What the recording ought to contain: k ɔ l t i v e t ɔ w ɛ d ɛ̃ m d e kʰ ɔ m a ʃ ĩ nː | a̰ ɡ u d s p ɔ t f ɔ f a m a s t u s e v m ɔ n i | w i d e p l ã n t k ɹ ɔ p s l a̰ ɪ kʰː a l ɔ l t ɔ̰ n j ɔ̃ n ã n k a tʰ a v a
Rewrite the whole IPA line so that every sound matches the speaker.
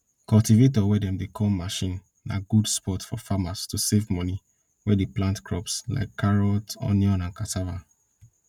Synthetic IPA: k ɔ l t i v e t ɔ w ɛ d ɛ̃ m d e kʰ ɔ m a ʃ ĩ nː | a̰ ɡ u d s p ɔ t f ɔ f a m a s t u s e v m ɔ n i | w ɛ d e p l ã n t k ɹ ɔ p s l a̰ ɪ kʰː a ɹ ɔ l t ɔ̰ n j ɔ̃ n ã n k a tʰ a v a